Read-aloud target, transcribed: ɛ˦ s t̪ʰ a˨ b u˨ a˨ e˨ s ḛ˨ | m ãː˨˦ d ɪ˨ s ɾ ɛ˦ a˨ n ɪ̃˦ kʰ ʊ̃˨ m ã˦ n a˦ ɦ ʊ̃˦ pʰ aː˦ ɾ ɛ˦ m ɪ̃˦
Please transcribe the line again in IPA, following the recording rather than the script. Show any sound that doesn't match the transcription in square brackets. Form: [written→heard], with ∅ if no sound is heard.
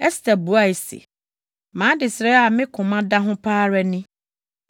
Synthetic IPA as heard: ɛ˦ s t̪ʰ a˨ b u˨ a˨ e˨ s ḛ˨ | m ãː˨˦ d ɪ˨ s ɾ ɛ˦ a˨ [n→m] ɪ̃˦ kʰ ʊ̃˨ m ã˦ [n→d] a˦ ɦ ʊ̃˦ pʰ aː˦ ɾ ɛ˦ [m→n] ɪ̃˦